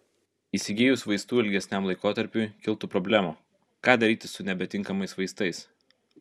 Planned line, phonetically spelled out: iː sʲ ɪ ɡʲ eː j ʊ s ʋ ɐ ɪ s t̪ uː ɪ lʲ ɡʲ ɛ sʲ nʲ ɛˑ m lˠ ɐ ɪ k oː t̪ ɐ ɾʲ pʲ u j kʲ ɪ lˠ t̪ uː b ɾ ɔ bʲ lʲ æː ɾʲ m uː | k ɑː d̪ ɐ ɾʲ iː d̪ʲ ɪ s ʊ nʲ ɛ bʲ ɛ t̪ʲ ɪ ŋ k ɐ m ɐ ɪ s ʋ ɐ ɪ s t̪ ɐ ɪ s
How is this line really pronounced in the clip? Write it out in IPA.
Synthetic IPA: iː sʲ ɪ ɡʲ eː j ʊ s ʋ ɐ ɪ s t̪ uː ɪ lʲ ɡʲ ɛ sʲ nʲ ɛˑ m lˠ ɐ ɪ k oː t̪ ɐ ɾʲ pʲ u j kʲ ɪ lˠ t̪ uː p ɾ ɔ bʲ lʲ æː m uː | k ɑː d̪ ɐ ɾʲ iː t̪ʲ ɪ s ʊ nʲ ɛ bʲ ɛ t̪ʲ ɪ ŋ k ɐ m ɐ ɪ s ʋ ɐ ɪ s t̪ ɐ ɪ s